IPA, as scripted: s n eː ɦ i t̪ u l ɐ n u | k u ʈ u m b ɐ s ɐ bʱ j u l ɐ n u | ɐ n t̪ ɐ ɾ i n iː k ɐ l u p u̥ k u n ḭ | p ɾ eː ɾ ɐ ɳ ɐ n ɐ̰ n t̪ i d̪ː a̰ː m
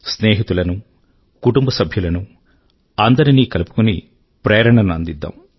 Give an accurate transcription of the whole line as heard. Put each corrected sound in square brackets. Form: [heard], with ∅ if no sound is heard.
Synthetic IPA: s n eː ɦ i t̪ u l ɐ n u | k u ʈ u m b ɐ s ɐ bʱ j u l ɐ n u | ɐ n [d̪] ɐ ɾ i n iː k ɐ l u p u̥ k u n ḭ | p ɾ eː ɾ ɐ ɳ ɐ n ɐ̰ n [d̪] i d̪ː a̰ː m